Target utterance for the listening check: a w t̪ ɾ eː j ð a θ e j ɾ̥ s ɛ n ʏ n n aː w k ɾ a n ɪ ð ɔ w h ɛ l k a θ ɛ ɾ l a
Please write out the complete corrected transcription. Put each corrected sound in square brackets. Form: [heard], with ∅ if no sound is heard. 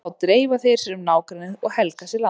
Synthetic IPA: a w t̪ ɾ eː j [v] a θ e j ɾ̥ s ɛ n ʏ [m] n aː w k ɾ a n ɪ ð ɔ [ɣ] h ɛ l k a [s] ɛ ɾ l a